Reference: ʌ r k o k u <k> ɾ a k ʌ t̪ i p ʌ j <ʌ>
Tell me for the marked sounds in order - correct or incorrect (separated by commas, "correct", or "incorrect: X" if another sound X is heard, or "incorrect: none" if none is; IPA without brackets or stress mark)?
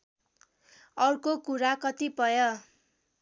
incorrect: none, correct